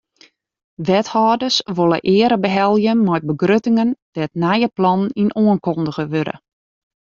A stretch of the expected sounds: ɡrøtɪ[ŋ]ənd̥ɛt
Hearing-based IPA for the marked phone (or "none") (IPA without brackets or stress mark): ŋ